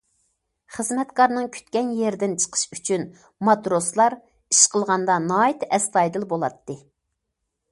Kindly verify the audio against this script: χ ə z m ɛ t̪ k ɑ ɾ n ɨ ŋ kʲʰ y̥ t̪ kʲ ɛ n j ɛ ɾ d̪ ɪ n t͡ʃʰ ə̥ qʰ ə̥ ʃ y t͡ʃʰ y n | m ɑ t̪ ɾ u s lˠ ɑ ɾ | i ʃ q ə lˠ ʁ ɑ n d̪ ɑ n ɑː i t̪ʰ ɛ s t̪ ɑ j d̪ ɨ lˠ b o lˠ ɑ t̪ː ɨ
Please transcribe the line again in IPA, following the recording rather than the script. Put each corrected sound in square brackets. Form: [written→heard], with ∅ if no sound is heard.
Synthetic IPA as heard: χ ə z m ɛ t̪ k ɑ ɾ n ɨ ŋ kʲʰ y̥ t̪ kʲ ɛ n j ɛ ɾ d̪ ɪ n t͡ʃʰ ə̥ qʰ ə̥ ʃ y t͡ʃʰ y n | m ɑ t̪ ɾ [u→o] s lˠ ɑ ɾ | i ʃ q ə lˠ ʁ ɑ n d̪ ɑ n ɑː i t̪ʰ ɛ s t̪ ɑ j d̪ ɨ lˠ b o lˠ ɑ t̪ː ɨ

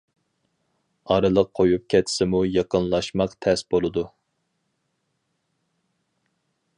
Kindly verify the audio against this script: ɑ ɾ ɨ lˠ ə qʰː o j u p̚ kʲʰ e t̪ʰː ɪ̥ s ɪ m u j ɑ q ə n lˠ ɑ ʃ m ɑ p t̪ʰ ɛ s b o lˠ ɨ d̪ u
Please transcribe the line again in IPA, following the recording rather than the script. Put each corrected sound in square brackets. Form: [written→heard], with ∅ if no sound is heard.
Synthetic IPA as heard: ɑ ɾ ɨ lˠ ə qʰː o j u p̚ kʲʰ [e→ɛ] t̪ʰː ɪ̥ s ɪ m u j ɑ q ə n lˠ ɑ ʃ m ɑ [p→q] t̪ʰ ɛ s b o lˠ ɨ d̪ u

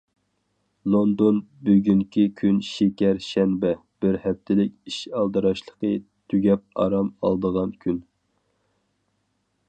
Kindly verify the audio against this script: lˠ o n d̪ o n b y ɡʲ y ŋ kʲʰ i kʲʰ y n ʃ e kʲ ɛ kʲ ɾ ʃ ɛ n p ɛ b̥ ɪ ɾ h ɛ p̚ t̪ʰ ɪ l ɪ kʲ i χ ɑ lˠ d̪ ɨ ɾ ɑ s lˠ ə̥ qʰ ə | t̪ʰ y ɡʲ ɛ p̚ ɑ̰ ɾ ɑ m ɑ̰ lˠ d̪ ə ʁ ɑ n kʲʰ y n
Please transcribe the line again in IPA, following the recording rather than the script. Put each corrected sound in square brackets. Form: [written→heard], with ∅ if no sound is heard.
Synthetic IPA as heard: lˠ o n d̪ o n b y ɡʲ y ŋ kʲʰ i kʲʰ y n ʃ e kʲ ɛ [kʲ→∅] ɾ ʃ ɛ n [p→b] ɛ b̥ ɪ ɾ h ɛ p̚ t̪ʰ ɪ l ɪ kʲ i [χ→ʃ] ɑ lˠ d̪ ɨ ɾ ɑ [s→ʃ] lˠ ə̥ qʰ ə | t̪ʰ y ɡʲ ɛ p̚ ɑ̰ ɾ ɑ m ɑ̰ lˠ d̪ ə ʁ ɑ n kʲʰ y n

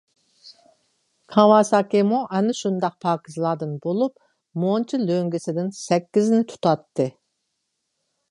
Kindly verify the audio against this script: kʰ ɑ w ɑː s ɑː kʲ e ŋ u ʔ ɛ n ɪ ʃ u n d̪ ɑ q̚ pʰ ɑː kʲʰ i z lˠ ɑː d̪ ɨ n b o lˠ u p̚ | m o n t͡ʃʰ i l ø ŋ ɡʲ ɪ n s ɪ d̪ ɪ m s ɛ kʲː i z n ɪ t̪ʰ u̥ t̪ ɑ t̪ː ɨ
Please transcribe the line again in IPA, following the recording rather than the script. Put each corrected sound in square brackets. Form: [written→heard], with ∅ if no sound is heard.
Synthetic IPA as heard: kʰ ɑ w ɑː s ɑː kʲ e [ŋ→m] u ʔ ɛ n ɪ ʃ u n d̪ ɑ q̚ pʰ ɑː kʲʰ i z lˠ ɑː d̪ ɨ n b o lˠ u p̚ | m o n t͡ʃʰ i l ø ŋ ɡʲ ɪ [n→∅] s ɪ d̪ ɪ [m→n] s ɛ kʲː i z n ɪ t̪ʰ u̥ t̪ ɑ t̪ː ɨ

